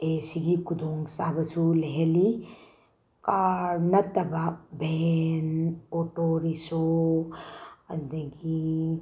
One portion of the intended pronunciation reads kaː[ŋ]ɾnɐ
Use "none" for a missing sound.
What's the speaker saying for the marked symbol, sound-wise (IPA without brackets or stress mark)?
none